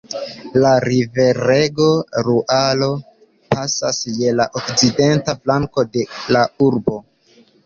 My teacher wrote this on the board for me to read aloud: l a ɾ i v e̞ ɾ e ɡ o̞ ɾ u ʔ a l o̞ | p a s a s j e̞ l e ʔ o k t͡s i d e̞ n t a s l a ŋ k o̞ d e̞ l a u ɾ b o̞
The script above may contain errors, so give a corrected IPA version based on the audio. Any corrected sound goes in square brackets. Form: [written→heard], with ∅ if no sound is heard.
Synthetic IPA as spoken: l a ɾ i v e̞ ɾ e ɡ o̞ ɾ u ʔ a l o̞ | p a s a s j e̞ l [e→a] ʔ o k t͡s i d e̞ n t a [s→f] l a ŋ k o̞ d e̞ l a u ɾ b o̞